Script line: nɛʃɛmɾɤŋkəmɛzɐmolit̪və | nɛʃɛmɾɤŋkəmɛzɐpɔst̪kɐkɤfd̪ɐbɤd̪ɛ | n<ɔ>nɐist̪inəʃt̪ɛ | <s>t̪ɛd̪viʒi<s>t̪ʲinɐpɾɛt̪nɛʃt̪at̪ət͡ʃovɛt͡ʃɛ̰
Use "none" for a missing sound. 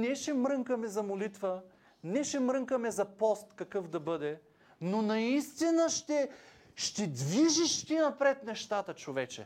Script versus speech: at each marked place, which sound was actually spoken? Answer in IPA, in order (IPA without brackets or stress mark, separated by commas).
o, ʃ, ʃ